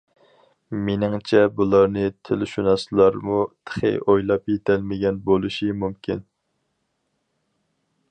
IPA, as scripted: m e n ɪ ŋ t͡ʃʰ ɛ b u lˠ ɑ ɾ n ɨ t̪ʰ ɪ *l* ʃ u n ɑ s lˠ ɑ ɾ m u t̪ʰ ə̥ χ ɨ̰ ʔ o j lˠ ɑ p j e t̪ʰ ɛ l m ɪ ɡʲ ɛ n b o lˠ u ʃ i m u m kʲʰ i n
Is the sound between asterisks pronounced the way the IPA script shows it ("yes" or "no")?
yes